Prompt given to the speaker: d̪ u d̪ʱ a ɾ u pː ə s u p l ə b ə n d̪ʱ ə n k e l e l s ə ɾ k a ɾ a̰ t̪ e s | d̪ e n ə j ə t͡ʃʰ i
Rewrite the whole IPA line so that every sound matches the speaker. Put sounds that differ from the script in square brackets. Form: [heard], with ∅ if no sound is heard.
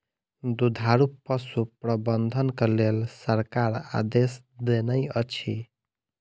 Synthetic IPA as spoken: d̪ u d̪ʱ a ɾ u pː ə s u p [ɾ] ə b ə n d̪ʱ ə n k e l e l s ə ɾ k a ɾ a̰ [d̪] e s | d̪ e n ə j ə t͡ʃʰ i